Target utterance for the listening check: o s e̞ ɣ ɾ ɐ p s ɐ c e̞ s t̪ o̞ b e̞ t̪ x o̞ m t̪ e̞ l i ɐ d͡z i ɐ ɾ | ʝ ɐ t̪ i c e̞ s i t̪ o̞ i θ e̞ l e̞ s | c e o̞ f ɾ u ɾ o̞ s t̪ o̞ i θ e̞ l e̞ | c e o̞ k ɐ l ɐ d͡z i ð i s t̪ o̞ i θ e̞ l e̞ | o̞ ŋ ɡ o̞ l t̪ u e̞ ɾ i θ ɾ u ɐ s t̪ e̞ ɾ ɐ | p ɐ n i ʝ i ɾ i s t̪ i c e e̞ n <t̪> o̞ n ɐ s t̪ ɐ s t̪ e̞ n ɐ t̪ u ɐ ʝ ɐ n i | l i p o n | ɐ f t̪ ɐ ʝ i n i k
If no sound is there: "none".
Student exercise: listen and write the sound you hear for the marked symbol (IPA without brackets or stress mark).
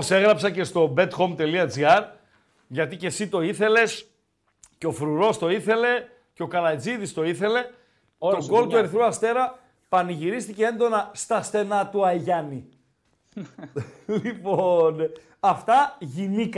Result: d̪